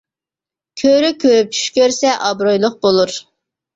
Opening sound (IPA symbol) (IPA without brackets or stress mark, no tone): kʲʰ